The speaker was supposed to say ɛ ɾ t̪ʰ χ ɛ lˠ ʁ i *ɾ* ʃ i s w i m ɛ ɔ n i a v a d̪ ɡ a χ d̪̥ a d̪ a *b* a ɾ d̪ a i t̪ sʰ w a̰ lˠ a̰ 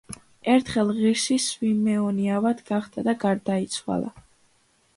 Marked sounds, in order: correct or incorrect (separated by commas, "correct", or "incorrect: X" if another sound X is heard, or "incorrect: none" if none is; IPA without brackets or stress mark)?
correct, incorrect: ɡ